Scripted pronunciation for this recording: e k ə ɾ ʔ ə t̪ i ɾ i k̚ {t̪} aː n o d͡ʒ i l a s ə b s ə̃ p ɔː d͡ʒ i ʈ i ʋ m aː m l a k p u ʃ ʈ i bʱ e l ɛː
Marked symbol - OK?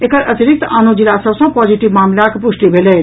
yes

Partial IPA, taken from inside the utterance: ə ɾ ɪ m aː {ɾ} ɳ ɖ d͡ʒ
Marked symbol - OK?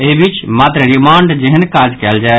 no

